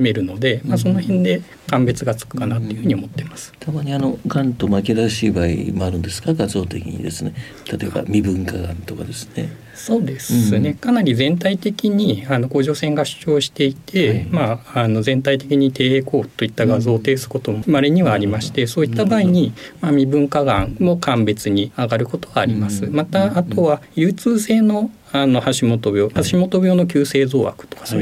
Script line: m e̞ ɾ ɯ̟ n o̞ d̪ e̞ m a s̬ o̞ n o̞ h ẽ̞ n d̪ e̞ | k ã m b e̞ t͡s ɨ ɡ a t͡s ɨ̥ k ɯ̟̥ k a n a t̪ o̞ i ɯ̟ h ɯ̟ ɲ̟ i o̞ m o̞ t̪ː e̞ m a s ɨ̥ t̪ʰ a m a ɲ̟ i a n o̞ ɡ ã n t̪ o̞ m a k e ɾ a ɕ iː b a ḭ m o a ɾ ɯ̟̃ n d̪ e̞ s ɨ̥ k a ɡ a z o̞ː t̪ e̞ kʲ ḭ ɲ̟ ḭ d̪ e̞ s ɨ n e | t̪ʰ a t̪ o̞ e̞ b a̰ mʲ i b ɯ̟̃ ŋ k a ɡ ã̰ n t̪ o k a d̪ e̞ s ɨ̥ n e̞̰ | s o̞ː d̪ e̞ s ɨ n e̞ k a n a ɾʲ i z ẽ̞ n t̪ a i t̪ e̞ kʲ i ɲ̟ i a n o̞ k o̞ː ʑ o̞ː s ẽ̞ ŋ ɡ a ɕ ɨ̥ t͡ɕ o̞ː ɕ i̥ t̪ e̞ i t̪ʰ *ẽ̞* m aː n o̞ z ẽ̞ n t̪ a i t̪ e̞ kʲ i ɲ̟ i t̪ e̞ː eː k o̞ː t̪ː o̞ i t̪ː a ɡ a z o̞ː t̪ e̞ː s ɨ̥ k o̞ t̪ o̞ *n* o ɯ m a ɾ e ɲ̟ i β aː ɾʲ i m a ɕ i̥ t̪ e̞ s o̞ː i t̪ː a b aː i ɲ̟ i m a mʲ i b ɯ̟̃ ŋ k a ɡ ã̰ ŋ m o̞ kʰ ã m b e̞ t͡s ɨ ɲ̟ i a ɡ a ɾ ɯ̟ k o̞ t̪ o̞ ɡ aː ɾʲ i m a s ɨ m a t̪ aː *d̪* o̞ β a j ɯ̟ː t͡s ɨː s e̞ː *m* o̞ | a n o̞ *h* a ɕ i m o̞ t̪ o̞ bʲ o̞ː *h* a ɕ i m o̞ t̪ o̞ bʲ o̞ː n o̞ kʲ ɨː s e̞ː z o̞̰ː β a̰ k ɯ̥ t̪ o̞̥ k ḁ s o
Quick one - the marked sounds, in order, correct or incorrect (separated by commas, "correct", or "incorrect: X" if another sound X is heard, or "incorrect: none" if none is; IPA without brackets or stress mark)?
incorrect: e̞, incorrect: m, incorrect: t̪, incorrect: n, correct, correct